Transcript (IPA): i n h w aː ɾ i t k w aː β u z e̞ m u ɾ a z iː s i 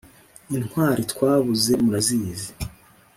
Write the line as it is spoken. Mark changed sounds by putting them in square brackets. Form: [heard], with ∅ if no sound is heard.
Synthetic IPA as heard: i n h w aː ɾ i t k w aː β u z e̞ m u ɾ a z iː [z] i